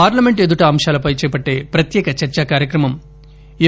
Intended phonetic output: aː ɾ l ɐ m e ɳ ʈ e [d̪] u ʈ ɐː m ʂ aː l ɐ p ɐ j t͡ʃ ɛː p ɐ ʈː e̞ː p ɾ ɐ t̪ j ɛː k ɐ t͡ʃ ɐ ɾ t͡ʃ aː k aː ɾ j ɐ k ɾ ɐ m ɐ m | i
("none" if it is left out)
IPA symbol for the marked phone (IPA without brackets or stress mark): d̪